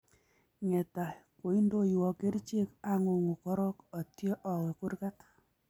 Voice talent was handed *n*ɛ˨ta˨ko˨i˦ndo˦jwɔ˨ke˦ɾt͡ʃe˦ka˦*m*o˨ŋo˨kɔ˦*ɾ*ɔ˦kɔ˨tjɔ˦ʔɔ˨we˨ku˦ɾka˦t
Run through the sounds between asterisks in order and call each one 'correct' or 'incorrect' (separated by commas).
incorrect, incorrect, correct